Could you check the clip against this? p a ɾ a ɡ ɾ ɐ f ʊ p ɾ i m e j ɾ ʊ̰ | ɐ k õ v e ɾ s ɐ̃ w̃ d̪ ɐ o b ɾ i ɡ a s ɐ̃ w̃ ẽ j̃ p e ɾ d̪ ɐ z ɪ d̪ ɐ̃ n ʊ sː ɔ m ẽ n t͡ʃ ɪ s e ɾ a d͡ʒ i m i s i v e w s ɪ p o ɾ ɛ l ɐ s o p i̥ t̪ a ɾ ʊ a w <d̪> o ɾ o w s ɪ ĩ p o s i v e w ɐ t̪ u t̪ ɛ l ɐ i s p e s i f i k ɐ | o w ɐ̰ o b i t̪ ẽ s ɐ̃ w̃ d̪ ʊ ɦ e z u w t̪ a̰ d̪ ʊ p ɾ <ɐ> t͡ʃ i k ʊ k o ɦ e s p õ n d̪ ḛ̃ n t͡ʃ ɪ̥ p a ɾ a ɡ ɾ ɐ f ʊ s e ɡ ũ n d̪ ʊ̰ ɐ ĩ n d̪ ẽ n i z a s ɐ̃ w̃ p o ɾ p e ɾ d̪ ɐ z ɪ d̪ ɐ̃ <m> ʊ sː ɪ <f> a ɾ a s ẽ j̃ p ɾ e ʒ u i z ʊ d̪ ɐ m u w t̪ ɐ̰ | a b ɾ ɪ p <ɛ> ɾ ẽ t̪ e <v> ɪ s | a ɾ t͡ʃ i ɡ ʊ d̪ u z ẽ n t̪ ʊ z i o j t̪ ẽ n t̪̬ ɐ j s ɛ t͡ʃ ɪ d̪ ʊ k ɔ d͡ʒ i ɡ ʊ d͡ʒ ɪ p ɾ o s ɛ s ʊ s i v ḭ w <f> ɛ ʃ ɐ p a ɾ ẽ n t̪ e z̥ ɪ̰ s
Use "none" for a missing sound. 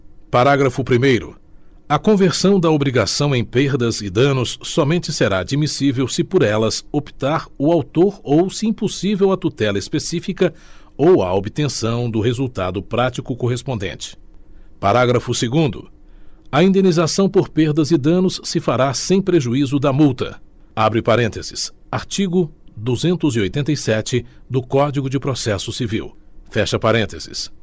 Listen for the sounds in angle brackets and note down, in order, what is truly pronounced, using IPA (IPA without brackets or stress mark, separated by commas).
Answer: t̪, a, n, f, a, z, f